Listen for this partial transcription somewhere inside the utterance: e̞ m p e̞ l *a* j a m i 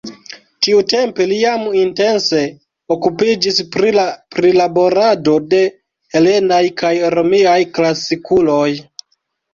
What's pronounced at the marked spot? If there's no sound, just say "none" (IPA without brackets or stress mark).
i